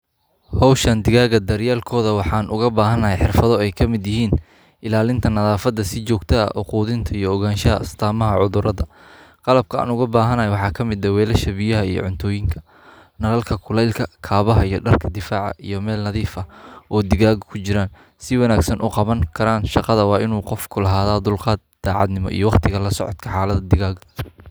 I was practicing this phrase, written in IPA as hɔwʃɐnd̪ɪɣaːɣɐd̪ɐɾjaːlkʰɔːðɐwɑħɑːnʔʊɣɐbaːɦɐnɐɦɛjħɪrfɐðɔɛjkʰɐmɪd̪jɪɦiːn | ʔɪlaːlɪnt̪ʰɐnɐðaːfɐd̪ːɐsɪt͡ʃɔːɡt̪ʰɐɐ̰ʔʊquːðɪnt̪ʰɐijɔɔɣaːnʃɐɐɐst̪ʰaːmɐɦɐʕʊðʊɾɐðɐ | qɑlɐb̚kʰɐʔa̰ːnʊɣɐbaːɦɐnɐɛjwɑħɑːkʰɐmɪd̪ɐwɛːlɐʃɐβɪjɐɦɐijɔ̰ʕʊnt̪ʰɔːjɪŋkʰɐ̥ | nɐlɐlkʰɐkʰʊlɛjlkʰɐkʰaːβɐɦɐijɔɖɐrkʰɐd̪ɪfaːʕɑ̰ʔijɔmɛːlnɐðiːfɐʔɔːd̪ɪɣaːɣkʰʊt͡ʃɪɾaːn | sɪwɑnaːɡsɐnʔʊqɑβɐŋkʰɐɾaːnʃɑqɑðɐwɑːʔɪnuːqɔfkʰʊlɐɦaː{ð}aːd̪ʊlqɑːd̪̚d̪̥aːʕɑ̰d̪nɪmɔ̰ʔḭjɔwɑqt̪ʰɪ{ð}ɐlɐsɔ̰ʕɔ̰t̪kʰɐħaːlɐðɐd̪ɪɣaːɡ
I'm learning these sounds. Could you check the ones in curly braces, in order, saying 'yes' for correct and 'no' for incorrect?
yes, no

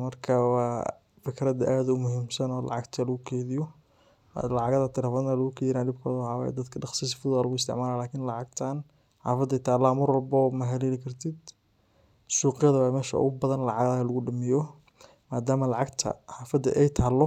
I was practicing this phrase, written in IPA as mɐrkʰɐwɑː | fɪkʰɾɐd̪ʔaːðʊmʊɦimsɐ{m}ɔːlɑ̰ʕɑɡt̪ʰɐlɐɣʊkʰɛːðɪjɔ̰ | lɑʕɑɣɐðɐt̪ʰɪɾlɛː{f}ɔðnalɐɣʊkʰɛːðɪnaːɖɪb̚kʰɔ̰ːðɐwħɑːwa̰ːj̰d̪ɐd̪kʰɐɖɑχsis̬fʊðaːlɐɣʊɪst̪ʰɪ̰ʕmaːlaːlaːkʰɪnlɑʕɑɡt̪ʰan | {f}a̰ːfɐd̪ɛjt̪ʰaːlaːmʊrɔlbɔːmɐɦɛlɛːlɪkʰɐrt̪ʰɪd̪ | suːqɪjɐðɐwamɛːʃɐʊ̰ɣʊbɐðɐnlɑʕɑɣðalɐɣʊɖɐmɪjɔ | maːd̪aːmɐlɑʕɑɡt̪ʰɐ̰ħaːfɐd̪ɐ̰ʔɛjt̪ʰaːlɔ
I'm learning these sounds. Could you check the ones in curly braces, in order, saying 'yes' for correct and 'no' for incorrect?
no, yes, no

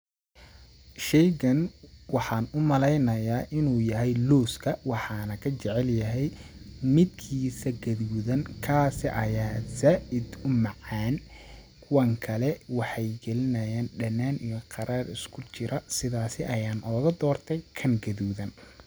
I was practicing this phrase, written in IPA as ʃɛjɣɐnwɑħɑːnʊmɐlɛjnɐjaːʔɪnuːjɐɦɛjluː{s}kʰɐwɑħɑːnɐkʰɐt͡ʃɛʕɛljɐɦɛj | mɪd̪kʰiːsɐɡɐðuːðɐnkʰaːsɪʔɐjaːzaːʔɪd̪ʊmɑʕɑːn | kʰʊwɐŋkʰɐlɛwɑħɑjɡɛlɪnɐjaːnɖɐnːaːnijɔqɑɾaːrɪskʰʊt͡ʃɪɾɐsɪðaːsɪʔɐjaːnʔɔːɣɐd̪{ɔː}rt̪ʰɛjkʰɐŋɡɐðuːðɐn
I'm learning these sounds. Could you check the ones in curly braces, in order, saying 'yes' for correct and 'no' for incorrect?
yes, yes

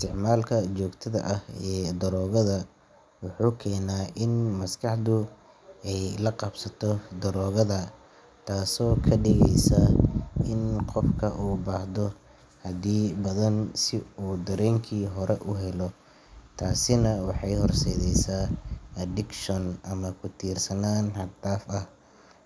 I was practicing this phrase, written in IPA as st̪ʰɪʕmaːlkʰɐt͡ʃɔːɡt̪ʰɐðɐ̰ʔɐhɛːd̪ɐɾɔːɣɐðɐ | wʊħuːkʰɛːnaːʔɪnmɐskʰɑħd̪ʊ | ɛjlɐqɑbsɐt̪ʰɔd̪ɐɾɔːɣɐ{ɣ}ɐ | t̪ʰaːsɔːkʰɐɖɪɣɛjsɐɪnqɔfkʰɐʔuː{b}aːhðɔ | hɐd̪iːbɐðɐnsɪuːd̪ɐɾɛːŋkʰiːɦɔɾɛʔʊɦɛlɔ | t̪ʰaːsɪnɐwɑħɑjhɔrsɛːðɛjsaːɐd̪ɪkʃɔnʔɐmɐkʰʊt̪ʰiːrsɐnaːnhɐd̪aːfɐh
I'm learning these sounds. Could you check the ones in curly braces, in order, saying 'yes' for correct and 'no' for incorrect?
no, yes

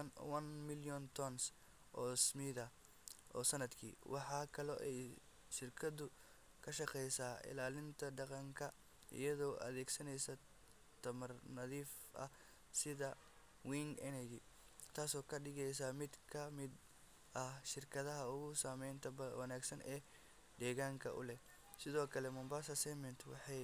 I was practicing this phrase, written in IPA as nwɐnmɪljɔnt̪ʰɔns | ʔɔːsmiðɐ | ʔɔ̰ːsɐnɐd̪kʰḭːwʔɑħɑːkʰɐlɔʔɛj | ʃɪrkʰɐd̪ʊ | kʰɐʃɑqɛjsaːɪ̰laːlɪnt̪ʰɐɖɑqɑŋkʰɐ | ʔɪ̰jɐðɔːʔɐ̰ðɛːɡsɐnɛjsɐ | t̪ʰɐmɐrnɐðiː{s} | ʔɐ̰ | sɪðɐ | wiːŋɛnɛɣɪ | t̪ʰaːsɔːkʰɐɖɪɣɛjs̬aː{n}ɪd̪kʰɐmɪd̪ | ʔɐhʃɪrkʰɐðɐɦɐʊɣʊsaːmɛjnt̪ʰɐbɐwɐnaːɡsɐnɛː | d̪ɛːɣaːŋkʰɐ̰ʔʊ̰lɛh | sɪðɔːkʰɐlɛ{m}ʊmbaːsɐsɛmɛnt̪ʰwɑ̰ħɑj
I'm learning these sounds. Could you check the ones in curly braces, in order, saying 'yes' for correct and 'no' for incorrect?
no, no, yes

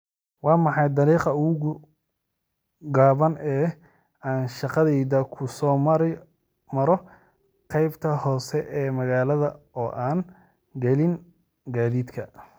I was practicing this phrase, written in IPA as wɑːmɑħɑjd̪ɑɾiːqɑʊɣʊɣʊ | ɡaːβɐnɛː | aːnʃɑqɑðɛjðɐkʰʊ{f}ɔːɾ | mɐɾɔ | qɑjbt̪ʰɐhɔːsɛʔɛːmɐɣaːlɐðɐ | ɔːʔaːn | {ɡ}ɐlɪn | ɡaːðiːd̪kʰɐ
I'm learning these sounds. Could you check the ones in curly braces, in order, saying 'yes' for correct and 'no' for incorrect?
no, yes

